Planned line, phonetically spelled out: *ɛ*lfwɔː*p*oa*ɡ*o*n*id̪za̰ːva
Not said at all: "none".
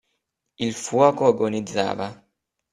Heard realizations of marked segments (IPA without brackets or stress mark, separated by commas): i, k, ɡ, n